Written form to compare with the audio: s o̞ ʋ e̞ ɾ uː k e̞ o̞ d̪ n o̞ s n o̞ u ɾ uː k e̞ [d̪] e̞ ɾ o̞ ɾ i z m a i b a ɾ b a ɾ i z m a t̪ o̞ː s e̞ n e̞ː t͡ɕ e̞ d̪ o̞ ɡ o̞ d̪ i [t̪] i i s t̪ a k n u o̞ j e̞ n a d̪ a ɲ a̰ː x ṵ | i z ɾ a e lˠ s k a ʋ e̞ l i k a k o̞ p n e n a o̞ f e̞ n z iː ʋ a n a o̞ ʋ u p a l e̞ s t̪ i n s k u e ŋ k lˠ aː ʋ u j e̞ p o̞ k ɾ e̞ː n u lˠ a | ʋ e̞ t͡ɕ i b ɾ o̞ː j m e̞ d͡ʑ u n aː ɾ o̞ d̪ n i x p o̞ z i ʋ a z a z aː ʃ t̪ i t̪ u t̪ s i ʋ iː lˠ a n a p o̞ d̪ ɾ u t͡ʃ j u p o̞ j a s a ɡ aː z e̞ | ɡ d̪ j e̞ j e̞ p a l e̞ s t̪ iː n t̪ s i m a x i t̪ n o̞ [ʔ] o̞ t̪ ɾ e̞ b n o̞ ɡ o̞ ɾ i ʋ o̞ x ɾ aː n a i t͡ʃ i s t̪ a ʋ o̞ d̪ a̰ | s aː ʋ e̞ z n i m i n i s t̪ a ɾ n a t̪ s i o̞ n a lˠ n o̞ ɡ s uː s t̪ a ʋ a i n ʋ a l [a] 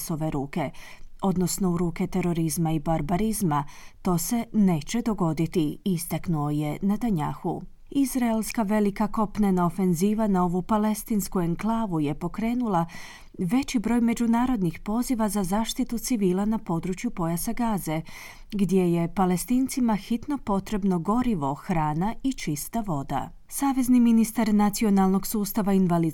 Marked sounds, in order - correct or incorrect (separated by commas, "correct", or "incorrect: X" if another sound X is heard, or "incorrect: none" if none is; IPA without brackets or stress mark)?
incorrect: t̪, correct, incorrect: p, incorrect: i